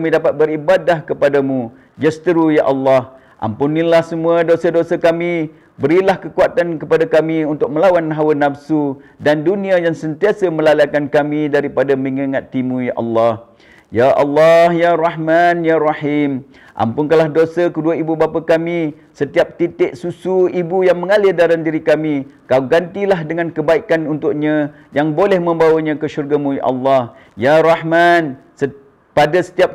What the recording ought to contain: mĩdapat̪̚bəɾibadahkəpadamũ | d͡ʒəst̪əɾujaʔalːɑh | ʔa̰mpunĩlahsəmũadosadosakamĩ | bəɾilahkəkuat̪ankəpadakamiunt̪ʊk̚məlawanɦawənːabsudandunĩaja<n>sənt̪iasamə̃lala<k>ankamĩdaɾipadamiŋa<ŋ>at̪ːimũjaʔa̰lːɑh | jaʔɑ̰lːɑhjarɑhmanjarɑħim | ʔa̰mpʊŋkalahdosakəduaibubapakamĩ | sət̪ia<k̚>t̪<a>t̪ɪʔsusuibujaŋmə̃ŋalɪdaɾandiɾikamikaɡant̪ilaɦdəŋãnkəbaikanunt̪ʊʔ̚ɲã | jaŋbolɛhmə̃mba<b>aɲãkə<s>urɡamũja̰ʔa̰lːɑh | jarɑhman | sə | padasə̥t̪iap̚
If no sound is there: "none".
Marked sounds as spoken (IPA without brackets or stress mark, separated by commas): ŋ, k, ŋ, p̚, i, w, ʃ